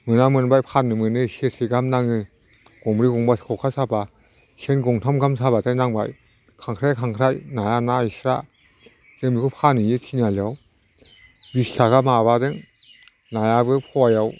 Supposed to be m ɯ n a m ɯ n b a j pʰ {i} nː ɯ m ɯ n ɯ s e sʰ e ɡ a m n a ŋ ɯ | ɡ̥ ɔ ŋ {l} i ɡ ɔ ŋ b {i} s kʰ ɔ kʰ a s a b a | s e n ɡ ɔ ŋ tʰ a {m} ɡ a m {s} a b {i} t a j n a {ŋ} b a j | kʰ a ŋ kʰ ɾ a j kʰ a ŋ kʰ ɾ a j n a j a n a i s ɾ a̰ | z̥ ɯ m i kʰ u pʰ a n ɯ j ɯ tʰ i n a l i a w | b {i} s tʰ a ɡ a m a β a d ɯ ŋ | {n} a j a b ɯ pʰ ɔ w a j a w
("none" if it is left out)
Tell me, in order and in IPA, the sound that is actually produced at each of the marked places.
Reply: a, ɾ, a, m, s, a, ŋ, i, n

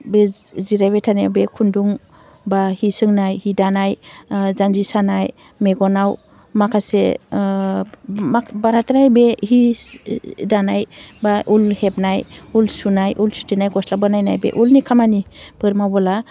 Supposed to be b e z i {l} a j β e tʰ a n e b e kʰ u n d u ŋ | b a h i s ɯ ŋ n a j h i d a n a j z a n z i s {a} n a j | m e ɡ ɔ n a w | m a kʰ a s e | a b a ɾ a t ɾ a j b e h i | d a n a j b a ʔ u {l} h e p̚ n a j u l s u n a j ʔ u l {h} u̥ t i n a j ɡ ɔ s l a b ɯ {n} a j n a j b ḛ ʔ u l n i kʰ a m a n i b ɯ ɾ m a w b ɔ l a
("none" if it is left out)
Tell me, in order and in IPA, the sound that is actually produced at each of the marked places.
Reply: ɾ, a, l, s, n

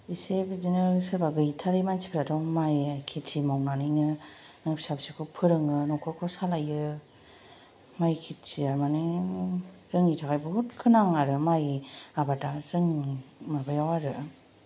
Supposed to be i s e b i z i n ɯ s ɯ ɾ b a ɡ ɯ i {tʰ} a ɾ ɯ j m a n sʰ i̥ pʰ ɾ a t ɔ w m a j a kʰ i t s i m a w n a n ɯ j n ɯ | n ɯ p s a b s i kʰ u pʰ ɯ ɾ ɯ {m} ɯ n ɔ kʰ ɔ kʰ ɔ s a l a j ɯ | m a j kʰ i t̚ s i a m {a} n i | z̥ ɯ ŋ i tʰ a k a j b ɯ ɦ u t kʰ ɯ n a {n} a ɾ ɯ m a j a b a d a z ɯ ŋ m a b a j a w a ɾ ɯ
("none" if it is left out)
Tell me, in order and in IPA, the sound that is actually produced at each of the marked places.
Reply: tʰ, ŋ, a, ŋ

